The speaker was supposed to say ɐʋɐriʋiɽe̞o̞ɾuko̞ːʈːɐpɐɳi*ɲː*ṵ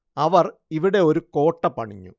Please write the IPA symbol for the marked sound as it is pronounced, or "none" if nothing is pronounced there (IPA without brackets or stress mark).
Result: ɲː